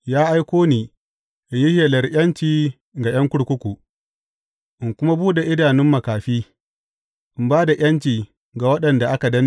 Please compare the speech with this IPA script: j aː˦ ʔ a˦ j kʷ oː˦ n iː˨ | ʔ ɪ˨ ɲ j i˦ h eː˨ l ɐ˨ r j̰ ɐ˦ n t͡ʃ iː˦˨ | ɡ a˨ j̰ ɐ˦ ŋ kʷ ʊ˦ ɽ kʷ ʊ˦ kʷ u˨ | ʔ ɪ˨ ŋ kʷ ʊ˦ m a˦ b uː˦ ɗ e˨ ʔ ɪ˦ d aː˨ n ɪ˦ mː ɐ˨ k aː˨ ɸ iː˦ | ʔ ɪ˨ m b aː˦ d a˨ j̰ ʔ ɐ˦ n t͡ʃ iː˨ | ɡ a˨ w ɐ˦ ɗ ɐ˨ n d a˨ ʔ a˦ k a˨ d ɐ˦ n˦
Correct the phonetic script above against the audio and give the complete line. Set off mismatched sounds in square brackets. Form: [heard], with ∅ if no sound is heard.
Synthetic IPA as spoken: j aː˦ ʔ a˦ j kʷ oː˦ n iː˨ | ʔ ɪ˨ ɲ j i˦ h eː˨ l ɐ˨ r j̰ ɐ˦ n t͡ʃ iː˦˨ | ɡ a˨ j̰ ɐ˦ ŋ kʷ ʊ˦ ɽ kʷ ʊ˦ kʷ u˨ | ʔ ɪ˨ ŋ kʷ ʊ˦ m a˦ b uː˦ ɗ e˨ ʔ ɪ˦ d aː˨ n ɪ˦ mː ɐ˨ k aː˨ ɸ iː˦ | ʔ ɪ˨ m b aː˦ d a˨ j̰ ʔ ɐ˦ n t͡ʃ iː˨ | ɡ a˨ w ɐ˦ ɗ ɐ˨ n d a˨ ʔ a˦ k a˨ d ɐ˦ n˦